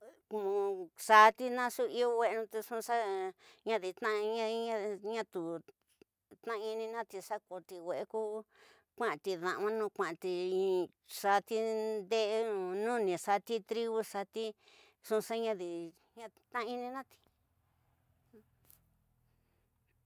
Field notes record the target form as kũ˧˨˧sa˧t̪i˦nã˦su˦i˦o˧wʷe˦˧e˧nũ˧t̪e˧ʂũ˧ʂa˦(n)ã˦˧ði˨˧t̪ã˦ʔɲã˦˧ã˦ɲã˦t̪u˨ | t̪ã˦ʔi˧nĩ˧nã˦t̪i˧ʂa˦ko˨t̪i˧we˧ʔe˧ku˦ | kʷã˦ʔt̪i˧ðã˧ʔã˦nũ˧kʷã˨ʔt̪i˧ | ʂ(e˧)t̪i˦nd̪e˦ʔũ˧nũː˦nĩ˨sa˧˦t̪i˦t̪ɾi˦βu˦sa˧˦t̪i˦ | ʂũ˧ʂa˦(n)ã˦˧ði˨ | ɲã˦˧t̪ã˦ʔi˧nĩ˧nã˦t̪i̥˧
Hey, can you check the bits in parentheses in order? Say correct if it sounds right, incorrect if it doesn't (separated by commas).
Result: incorrect, incorrect, incorrect